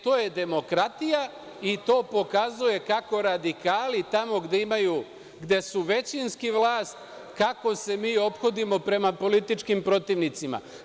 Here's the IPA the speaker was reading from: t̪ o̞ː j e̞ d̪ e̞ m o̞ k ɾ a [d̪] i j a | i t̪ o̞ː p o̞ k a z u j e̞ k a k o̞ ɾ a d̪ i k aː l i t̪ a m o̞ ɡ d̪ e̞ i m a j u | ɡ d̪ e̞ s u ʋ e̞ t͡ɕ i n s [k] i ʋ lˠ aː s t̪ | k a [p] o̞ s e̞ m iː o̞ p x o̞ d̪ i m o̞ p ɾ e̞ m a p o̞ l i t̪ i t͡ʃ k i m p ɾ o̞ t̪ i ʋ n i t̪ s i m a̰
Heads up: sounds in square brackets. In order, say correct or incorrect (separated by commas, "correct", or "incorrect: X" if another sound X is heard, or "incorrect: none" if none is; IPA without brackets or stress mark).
incorrect: t̪, correct, incorrect: k